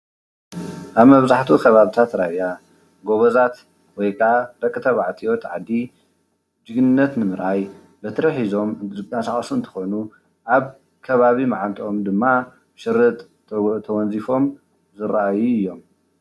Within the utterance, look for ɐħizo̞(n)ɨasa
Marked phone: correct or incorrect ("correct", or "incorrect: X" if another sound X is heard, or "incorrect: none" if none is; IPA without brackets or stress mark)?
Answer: incorrect: m